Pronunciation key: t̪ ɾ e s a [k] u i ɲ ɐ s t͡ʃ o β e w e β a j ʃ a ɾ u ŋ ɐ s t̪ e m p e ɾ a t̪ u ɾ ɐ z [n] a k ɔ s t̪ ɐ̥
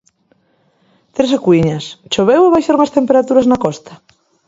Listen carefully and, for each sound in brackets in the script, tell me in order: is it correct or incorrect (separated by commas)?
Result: correct, correct